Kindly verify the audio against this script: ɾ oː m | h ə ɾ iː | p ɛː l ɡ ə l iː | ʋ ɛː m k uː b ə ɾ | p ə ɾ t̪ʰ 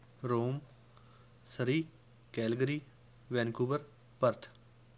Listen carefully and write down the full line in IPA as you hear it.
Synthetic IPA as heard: ɾ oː m | s ə ɾ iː | k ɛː l ɡ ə ɾ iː | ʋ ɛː n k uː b ə ɾ | p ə ɾ t̪ʰ